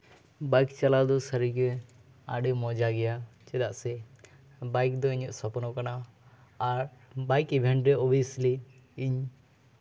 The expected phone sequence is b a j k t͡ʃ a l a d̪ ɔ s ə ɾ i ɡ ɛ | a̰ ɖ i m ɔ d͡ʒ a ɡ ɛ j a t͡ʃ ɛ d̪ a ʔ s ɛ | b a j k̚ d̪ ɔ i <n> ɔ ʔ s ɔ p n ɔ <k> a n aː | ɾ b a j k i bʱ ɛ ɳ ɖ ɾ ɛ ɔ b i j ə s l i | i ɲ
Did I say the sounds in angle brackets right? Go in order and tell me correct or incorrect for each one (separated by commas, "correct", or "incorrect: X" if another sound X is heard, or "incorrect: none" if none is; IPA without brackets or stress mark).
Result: incorrect: ɲ, correct